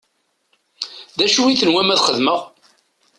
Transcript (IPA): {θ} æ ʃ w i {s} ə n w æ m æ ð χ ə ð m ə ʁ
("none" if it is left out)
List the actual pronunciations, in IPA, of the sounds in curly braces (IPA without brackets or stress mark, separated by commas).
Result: ð, θ